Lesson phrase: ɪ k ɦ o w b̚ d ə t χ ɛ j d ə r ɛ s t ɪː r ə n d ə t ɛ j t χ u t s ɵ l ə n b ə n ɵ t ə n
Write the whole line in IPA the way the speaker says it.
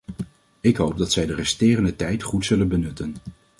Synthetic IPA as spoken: ɪ k ɦ o w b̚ d ɑ t s ɛ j d ə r ɛ s t ɪː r ə n d ə t ɛ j t χ u t s ɵ l ə n b ə n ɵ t ə n